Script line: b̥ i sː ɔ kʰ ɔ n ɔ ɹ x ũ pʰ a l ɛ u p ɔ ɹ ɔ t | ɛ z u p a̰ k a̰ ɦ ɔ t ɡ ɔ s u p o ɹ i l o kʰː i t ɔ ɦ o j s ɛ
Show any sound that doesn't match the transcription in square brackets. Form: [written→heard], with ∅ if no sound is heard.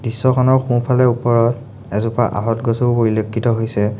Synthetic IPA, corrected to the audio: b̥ i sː ɔ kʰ ɔ n ɔ ɹ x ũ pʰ a l ɛ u p ɔ ɹ ɔ t | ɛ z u p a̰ [k→ʔ] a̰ ɦ ɔ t ɡ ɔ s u p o ɹ i l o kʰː i t ɔ ɦ o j s ɛ